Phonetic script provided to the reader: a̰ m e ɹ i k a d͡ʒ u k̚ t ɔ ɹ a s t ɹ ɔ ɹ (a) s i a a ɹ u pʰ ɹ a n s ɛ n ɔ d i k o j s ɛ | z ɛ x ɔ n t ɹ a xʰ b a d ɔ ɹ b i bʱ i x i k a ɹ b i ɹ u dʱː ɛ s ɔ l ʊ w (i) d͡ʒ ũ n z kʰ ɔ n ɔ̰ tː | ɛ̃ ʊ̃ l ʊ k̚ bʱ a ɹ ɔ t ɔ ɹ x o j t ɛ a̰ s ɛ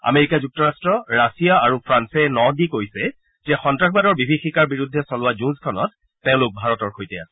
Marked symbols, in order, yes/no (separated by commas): yes, no